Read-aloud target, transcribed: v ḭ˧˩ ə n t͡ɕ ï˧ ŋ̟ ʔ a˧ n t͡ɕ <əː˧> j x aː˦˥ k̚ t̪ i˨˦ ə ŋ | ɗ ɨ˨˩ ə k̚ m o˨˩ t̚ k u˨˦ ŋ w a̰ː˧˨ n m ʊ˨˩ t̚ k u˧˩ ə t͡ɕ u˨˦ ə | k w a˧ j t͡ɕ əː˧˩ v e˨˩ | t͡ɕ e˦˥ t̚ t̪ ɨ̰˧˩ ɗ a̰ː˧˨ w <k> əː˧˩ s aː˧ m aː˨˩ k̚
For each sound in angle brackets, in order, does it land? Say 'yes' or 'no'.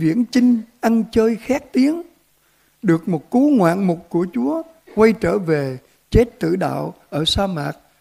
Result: yes, no

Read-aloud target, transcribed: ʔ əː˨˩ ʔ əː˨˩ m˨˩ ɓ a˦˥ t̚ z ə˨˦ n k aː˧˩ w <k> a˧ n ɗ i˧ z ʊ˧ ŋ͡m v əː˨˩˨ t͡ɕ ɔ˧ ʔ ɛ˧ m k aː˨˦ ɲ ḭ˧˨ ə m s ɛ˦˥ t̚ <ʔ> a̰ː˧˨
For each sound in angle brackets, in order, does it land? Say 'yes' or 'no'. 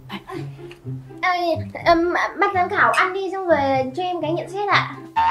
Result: no, yes

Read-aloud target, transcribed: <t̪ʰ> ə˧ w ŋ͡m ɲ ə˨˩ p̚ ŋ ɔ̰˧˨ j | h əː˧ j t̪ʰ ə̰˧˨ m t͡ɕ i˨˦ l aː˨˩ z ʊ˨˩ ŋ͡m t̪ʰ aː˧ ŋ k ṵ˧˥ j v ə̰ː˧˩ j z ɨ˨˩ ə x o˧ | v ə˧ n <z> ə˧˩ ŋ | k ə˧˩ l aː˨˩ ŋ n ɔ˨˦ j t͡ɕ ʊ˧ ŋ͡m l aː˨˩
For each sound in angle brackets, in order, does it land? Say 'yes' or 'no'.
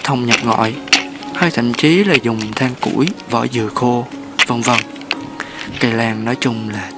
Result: yes, no

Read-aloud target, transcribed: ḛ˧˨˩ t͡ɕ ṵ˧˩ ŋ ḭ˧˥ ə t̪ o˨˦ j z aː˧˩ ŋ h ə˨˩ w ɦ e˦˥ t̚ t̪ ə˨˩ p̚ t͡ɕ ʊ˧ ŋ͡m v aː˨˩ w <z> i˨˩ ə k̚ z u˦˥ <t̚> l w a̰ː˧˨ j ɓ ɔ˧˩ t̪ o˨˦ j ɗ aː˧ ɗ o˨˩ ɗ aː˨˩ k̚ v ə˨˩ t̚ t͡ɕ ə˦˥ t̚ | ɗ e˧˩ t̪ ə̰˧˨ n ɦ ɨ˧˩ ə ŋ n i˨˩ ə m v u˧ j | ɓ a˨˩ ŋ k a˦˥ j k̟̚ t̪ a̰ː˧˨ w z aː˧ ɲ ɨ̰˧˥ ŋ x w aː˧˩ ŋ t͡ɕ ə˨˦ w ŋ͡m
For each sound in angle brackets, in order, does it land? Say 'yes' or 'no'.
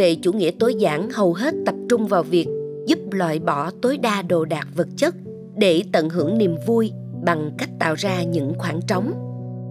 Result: no, no

